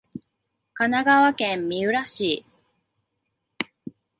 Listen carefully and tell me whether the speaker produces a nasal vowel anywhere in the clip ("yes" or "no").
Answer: yes